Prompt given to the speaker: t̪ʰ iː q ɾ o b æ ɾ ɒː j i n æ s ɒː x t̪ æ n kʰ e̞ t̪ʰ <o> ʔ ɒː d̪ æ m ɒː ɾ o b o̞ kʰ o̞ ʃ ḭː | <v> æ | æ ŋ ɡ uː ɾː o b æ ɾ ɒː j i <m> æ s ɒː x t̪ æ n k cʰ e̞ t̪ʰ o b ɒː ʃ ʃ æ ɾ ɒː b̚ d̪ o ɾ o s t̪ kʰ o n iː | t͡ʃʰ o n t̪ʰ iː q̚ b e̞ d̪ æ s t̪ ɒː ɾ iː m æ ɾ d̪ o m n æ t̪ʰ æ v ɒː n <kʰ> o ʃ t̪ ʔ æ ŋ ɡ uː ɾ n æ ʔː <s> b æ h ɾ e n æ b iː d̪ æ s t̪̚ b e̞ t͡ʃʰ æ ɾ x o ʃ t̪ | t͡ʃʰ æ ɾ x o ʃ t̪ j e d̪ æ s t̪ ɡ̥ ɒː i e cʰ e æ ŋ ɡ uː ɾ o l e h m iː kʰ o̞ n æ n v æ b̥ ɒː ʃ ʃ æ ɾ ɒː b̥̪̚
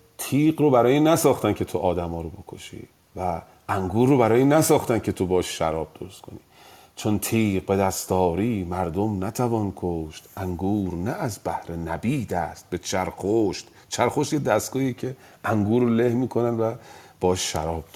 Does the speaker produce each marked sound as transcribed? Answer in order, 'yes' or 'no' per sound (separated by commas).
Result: yes, yes, no, yes, no